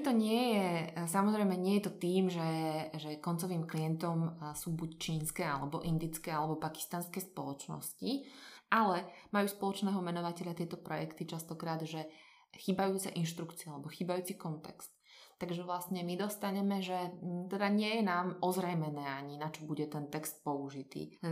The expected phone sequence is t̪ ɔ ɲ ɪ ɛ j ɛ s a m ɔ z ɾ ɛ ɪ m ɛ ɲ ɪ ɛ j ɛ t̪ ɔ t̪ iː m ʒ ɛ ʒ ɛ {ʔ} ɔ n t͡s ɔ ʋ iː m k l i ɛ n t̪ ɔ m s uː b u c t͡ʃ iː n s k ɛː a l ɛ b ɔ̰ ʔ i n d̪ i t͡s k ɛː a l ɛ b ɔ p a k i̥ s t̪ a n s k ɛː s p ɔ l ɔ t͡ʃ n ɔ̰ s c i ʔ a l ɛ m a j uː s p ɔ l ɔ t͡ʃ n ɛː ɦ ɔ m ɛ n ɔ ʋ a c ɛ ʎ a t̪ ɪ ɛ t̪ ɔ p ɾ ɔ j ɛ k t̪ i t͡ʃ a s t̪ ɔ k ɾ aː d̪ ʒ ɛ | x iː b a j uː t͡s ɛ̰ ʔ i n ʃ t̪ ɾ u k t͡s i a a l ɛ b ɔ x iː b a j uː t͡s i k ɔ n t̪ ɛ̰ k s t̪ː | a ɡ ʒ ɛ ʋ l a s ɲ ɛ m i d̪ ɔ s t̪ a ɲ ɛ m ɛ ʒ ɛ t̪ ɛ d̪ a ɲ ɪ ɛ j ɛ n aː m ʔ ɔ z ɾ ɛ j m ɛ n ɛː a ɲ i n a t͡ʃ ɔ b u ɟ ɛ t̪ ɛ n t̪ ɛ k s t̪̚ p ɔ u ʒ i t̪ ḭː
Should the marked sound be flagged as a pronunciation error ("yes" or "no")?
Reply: yes